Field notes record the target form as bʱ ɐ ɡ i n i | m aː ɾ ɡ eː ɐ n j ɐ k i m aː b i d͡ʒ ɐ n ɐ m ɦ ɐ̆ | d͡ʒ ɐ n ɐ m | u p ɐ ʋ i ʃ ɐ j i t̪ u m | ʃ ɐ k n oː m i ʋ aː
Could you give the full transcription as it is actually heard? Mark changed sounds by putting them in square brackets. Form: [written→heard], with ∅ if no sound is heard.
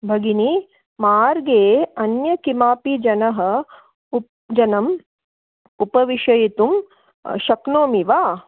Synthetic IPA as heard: bʱ ɐ ɡ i n i | m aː ɾ ɡ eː ɐ n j ɐ k i m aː [b→p] i d͡ʒ ɐ n ɐ [m→∅] ɦ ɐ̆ | d͡ʒ ɐ n ɐ m | u p ɐ ʋ i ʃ ɐ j i t̪ u m | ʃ ɐ k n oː m i ʋ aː